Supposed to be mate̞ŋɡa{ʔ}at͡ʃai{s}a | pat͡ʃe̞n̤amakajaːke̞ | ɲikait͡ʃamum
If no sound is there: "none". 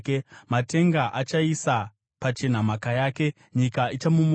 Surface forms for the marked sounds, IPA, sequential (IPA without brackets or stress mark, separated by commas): ʔ, s